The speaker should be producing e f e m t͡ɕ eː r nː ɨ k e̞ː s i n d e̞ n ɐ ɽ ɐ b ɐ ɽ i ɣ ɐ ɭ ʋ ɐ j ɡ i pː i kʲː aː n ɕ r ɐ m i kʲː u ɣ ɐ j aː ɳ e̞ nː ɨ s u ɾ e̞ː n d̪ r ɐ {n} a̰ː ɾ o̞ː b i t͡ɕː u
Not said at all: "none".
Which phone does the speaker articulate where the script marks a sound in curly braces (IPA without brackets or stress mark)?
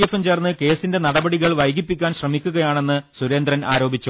n